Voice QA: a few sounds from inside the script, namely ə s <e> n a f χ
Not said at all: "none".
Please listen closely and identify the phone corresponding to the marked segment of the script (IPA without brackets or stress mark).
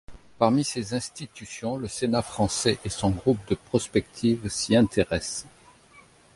e